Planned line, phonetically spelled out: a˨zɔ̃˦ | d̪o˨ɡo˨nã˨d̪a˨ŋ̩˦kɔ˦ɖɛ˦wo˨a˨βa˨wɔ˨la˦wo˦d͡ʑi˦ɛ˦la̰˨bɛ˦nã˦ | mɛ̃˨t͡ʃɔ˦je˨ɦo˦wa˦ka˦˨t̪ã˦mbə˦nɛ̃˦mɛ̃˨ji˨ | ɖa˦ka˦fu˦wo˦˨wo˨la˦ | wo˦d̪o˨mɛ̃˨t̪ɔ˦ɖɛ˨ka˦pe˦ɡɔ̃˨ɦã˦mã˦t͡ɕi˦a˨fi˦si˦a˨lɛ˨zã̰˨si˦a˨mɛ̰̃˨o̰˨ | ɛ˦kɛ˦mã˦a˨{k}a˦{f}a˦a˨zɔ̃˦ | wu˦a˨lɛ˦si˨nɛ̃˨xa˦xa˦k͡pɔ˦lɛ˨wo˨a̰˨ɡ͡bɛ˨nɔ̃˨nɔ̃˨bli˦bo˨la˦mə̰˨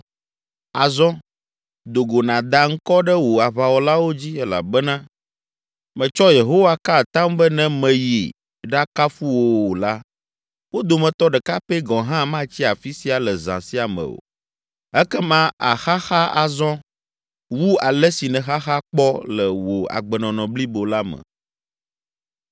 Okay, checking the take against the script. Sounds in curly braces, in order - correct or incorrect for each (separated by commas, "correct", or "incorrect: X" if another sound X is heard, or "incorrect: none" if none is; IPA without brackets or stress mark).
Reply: incorrect: x, incorrect: x